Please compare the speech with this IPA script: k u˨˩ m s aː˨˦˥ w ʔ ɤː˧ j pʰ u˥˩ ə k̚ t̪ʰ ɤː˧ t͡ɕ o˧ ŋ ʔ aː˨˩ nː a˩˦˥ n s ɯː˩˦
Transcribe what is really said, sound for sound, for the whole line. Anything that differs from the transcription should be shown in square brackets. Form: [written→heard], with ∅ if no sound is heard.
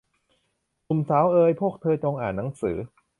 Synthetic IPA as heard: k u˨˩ m s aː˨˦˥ w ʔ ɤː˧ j pʰ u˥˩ ə k̚ t̪ʰ ɤː˧ t͡ɕ o˧ ŋ ʔ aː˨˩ nː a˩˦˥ [n→ŋ] s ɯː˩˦